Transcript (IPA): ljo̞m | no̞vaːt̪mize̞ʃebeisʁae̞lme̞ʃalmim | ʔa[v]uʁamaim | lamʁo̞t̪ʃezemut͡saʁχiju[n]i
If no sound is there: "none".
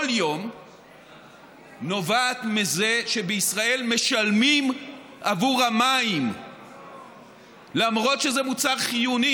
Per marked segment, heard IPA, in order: v, n

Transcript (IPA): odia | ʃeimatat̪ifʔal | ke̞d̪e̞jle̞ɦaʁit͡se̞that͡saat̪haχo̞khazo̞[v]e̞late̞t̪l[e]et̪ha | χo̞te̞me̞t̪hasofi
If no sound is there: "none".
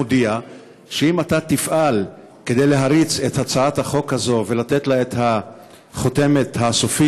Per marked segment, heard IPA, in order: v, a

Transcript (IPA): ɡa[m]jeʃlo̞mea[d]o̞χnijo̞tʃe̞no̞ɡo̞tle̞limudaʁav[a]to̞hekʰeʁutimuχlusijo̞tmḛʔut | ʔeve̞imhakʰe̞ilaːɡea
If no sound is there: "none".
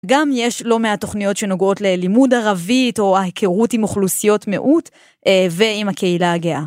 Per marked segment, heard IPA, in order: m, t, i

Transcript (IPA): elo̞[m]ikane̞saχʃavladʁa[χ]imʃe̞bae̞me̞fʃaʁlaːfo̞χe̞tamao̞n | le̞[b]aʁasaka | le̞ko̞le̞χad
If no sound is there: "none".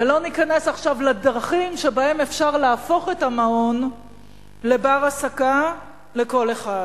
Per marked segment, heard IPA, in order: n, χ, b

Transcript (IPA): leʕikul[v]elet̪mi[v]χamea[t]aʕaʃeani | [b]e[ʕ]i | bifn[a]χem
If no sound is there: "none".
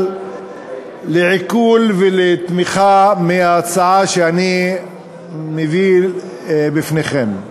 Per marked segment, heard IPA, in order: v, none, t͡s, m, v, e

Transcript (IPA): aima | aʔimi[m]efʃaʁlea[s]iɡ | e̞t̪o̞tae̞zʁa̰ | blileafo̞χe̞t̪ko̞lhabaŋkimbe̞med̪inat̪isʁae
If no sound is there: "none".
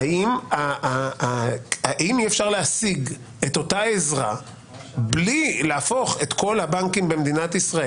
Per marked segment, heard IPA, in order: none, s

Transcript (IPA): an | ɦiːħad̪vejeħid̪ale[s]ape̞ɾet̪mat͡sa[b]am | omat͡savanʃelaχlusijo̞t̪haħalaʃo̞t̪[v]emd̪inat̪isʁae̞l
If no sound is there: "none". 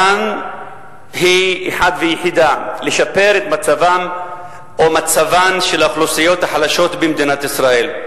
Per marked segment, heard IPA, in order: ʃ, v, b

